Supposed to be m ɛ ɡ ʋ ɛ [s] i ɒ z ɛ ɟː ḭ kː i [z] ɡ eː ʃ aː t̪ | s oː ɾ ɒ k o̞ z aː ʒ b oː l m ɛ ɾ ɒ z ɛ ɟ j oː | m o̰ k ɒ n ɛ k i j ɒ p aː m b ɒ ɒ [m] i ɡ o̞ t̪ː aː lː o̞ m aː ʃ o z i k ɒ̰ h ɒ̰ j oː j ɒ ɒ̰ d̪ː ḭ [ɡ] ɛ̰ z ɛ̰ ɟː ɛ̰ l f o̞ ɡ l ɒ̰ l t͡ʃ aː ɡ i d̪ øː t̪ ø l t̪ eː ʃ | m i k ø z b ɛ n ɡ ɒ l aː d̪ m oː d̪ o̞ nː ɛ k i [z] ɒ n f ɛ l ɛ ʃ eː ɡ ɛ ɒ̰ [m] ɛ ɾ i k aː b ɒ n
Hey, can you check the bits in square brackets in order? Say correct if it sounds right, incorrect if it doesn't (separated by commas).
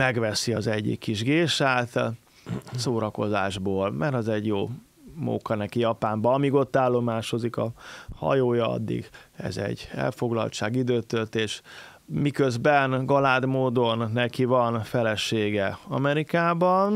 correct, incorrect, correct, correct, incorrect, correct